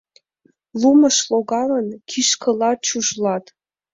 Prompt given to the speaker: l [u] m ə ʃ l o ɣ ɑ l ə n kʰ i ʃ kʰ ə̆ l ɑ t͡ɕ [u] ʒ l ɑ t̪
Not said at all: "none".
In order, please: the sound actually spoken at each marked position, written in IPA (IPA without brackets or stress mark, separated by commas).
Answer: u, u